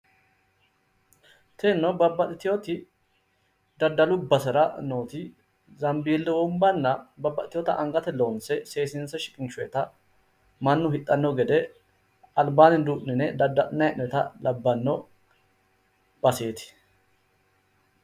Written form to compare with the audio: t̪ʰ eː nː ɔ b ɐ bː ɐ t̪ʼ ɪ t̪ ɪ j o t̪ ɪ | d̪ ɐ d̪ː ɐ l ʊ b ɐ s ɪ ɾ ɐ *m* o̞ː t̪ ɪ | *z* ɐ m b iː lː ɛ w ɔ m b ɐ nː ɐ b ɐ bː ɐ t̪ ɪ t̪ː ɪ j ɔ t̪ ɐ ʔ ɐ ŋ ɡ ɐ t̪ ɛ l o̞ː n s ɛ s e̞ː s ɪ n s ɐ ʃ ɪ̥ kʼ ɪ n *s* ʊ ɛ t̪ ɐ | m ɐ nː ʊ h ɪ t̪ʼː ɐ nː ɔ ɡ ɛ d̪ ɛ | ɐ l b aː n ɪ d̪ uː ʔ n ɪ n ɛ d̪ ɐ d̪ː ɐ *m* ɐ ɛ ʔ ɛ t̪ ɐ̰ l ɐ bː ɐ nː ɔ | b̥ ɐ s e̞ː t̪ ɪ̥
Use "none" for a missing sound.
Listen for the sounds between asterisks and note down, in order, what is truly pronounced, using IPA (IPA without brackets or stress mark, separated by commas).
n, z, ʃ, n